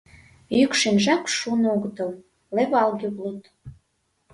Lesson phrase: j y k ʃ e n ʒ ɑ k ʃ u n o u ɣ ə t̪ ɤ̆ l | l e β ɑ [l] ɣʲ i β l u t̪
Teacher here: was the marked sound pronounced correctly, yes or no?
yes